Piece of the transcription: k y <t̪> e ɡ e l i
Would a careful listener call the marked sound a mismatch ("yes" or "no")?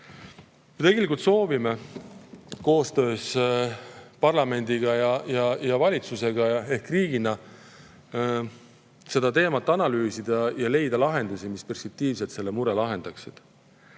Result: no